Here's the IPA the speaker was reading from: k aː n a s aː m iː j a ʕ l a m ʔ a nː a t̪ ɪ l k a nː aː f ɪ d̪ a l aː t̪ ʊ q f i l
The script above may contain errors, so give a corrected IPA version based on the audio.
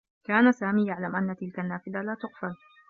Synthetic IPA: k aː n a s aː m iː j a ʕ l a m ʔ a nː a t̪ ɪ l k a nː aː f ɪ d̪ a l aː t̪ ʊ q f a l

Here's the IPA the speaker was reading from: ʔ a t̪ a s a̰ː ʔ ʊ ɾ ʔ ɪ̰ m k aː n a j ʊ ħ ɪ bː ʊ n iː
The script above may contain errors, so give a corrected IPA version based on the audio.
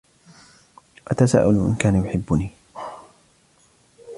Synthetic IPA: ʔ a t̪ a s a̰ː ʔ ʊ l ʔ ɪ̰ n k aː n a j ʊ ħ ɪ bː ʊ n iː

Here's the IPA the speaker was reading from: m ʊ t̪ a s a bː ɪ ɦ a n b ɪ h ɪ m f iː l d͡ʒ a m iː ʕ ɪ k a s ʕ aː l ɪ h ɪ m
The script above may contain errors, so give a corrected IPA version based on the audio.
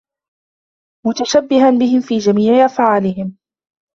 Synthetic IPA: m ʊ t̪ a ʃ a bː ɪ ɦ a n b ɪ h ɪ m f iː d͡ʒ a m iː ʕ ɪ ʔ a f ʕ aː l ɪ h ɪ m

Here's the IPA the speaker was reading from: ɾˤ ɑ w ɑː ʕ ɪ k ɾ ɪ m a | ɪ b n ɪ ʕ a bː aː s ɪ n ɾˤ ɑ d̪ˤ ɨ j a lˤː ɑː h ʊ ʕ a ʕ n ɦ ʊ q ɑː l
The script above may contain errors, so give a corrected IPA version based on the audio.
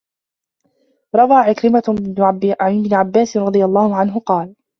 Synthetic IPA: ɾˤ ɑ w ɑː ʕ ɪ k ɾ ɪ m a | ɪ b n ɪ ʕ a bː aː s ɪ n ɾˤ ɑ d̪ˤ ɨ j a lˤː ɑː h ʊ ʕ a n ɦ ʊ q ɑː l

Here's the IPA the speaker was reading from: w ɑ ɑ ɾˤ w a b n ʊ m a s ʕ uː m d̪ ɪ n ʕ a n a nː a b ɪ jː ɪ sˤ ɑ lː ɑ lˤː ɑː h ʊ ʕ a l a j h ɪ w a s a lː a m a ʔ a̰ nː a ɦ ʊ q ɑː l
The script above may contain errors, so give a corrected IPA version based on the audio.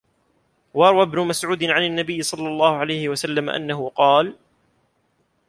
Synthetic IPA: w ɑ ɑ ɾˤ w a b n ʊ m a s ʕ uː d̪ ɪ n ʕ a n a nː a b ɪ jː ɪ sˤ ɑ lː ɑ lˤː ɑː h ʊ ʕ a l a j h ɪ w a s a lː a m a ʔ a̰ nː a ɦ ʊ q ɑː l

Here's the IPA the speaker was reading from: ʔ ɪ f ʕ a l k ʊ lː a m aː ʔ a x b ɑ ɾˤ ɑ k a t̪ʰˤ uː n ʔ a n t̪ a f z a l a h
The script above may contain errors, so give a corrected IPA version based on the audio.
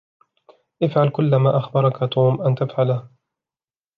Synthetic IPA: ʔ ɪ f ʕ a l k ʊ lː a m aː ʔ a x b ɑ ɾˤ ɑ k a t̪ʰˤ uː m ʔ a n t̪ a f ʕ a l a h

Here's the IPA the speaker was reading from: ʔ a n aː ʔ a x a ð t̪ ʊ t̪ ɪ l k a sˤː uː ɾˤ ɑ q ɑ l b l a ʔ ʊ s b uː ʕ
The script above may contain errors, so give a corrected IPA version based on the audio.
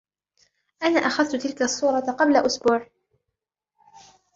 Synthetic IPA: ʔ a n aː ʔ a x a ð t̪ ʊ t̪ ɪ l k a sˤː uː ɾˤ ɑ q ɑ b l a ʔ ʊ s b uː ʕ

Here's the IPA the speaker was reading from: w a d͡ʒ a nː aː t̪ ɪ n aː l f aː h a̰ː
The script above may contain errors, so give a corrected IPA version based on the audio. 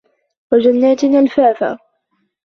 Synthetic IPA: w a d͡ʒ a nː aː t̪ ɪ n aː l f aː f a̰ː

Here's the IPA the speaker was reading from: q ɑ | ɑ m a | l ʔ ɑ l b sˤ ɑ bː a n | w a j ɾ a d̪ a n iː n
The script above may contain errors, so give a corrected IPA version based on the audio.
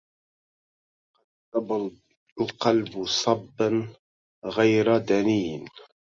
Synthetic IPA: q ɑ | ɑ b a | l q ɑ l b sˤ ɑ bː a n | ɣ a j ɾ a d̪ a n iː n

